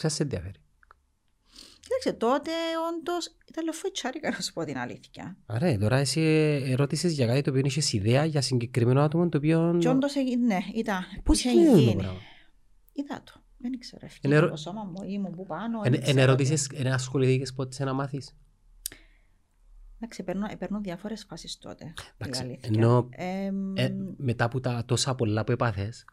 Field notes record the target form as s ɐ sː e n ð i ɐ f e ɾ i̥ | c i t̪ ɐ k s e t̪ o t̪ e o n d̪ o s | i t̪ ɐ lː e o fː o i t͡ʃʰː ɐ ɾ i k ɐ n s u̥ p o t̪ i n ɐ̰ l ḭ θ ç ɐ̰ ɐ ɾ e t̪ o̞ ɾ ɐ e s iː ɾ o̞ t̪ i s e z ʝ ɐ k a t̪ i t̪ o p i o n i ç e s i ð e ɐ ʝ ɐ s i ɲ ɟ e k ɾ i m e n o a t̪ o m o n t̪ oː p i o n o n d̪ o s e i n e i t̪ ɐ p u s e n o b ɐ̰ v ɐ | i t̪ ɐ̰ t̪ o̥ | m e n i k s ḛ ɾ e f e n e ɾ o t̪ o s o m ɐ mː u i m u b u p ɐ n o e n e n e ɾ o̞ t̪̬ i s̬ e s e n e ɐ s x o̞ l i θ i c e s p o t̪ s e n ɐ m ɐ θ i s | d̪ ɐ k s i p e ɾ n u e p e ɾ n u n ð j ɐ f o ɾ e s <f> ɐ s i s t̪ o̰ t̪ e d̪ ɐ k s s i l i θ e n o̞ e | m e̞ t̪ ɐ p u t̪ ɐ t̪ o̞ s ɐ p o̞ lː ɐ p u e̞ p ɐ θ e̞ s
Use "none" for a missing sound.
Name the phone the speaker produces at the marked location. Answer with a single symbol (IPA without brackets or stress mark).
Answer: f